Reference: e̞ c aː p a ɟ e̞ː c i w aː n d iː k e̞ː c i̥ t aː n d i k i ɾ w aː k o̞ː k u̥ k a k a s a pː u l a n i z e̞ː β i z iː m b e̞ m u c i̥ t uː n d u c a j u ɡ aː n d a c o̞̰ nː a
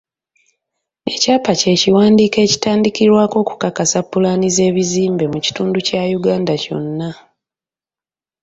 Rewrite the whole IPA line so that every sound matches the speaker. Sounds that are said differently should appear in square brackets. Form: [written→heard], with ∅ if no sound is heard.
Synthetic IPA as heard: e̞ c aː p a [ɟ→c] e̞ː c i w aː n d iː k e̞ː c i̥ t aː n d i k i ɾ w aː k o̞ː k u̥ k a k a s a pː u l a n i z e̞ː β i z iː m b e̞ m u c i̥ t uː n d u c a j u ɡ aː n d a c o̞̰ nː a